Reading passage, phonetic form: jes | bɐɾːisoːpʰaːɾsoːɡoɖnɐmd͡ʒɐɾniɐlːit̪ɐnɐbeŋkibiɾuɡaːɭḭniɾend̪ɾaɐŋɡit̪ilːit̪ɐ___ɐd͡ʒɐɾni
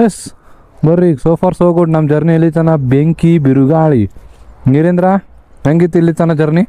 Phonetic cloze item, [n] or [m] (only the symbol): n